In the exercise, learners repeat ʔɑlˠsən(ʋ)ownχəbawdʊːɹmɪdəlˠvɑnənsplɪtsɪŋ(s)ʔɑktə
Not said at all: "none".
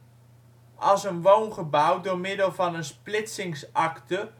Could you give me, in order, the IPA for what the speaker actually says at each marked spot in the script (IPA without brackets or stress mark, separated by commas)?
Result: ʋ, s